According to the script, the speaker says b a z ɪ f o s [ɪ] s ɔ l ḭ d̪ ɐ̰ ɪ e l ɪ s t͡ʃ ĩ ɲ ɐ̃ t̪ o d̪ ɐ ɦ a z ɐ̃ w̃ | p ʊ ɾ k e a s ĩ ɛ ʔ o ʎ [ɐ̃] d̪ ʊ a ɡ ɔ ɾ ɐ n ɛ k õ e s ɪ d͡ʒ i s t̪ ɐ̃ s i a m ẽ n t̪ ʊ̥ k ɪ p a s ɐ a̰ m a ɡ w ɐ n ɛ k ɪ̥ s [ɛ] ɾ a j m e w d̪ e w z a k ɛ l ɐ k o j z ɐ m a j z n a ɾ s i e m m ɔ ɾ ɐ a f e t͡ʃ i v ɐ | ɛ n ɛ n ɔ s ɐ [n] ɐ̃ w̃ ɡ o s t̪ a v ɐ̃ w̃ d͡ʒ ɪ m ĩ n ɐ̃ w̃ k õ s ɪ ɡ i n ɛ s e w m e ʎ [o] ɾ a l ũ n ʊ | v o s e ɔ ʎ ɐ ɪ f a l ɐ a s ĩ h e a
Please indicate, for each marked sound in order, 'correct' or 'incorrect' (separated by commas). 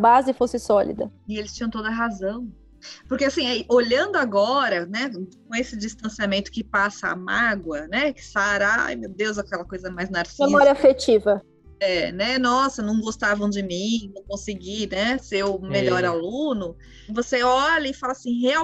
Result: correct, correct, incorrect, correct, incorrect